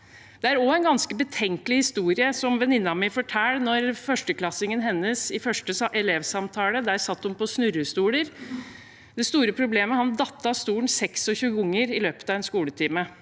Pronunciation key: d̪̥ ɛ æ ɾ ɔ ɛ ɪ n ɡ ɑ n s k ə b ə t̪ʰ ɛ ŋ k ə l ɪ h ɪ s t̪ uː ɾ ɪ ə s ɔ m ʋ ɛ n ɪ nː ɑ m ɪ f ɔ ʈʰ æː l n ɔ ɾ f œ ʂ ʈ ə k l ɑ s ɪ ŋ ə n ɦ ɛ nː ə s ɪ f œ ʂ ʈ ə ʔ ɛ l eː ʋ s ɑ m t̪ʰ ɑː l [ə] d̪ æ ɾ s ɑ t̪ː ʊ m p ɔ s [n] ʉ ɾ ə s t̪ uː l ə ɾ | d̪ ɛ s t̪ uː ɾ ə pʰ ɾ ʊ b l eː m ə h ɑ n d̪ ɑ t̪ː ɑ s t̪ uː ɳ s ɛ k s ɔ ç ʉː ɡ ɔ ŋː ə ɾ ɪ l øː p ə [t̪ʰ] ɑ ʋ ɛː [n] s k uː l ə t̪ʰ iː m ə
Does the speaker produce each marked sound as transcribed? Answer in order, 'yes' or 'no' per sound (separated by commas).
yes, yes, no, yes